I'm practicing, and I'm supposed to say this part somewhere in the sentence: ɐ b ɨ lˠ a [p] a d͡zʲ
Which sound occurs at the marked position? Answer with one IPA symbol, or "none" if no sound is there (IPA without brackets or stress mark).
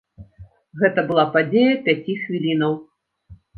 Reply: p